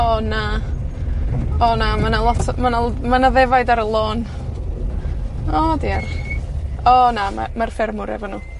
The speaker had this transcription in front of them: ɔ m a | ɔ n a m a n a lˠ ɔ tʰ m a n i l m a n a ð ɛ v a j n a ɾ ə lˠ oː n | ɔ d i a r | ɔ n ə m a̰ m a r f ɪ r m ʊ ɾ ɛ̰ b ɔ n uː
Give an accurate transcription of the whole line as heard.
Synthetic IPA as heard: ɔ n a | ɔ n a m a n a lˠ ɔ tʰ m a n a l m a n a ð ɛ v a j d a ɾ ə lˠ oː n | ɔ d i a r | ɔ n a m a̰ m a r f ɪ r m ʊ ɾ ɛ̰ v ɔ n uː